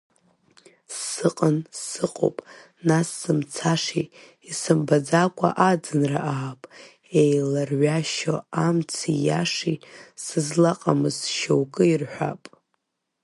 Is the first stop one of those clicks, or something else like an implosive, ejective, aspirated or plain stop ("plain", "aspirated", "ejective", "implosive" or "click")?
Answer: ejective